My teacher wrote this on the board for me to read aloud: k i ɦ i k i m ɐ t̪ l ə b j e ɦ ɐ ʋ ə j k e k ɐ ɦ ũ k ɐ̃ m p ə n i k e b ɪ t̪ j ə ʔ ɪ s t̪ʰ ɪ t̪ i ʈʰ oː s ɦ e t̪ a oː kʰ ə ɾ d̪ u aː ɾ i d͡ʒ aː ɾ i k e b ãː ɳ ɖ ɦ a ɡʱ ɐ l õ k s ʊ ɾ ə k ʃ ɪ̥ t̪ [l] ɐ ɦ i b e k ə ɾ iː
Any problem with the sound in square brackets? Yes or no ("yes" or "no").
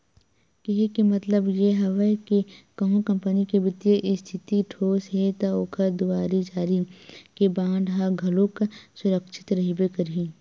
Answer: yes